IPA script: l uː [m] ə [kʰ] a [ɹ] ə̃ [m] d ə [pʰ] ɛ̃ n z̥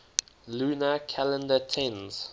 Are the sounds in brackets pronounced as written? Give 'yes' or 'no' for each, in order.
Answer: no, yes, no, no, no

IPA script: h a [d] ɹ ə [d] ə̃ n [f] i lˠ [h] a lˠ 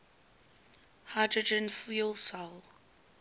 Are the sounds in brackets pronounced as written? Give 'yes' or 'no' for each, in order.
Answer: yes, no, yes, no

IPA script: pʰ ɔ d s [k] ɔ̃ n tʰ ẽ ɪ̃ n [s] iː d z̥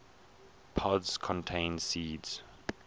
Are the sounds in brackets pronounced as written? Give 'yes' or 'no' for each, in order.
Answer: no, yes

